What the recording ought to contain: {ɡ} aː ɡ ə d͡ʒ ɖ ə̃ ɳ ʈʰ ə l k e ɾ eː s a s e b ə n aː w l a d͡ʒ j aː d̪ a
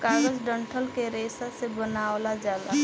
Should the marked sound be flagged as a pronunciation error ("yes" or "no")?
yes